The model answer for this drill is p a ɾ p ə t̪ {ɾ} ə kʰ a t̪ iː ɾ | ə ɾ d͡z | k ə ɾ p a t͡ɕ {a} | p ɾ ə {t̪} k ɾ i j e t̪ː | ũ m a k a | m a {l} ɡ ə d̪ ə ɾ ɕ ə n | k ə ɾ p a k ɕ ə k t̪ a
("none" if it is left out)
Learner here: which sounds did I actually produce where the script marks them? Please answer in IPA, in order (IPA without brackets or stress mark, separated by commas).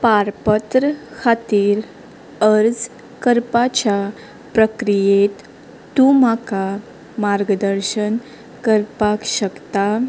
ɾ, a, none, ɾ